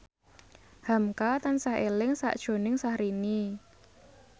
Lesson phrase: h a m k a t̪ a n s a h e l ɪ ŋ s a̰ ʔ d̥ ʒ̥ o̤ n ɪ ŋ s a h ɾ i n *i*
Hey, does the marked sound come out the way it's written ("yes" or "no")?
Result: yes